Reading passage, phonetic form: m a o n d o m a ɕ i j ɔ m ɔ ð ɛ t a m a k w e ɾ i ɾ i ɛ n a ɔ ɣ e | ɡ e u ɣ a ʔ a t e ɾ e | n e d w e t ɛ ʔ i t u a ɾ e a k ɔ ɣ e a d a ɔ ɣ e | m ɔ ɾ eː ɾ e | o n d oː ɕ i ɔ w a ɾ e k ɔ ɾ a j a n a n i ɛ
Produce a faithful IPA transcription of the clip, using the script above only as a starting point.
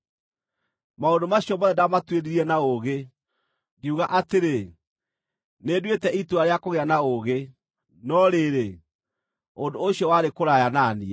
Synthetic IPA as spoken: m a o n d o m a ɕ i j ɔ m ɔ ð ɛ d a m a t w e ɾ i ɾ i ɛ n a o ɣ e | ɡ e u ɣ a ʔ a t e ɾ e | n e d w e t ɛ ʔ i t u a ɾ e a k o ɣ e a n a o ɣ e | n ɔ ɾ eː ɾ e | o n d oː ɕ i ɔ w a ɾ e k o ɾ a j a n a n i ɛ